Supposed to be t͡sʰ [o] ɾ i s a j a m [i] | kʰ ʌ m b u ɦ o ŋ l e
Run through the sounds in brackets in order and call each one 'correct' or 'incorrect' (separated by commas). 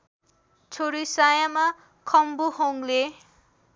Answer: correct, incorrect